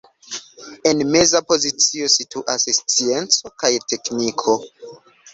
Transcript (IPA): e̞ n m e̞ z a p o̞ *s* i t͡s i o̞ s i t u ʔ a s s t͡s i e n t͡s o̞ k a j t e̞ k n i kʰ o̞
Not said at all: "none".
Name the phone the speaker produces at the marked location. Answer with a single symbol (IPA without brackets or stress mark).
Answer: z